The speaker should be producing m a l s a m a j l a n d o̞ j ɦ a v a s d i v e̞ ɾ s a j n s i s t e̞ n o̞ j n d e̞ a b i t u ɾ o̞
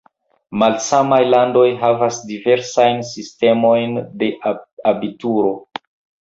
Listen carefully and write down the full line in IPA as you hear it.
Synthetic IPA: m a l s a m a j l a n d o̞ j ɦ a v a s d i v e̞ ɾ s a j n s i s t e̞ m o̞ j n d e̞ a b i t u ɾ o̞